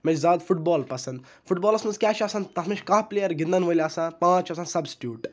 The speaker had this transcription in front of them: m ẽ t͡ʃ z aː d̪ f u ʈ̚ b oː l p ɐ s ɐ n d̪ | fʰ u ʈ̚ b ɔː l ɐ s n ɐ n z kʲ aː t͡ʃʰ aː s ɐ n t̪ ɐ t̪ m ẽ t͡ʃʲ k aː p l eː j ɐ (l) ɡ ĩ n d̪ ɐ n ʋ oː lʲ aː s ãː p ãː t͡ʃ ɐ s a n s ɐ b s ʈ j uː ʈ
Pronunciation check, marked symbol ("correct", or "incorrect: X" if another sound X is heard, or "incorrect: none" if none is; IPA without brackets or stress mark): incorrect: ɾ